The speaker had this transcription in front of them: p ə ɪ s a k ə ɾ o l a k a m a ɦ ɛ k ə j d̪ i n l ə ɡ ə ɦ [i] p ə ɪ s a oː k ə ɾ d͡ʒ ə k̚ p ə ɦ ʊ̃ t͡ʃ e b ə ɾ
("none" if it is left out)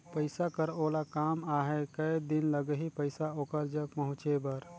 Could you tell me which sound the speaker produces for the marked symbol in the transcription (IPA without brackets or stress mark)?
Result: i